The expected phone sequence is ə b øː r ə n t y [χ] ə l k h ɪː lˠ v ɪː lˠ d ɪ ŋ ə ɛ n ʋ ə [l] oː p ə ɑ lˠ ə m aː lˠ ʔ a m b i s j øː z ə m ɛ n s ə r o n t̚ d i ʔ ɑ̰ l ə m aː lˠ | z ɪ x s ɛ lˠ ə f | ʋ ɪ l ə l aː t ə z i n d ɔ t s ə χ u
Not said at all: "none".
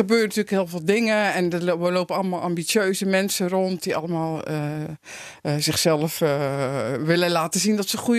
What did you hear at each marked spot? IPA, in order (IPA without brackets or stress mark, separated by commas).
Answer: none, l